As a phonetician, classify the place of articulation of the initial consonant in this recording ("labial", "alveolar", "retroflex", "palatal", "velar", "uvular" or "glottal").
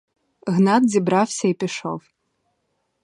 velar